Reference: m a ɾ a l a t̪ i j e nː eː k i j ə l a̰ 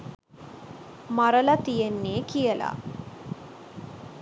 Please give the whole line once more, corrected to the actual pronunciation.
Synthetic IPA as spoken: m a ɾ ə l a t̪ i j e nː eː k i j ə l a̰